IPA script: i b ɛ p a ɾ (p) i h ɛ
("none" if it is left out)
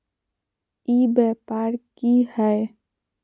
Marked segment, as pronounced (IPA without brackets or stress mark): k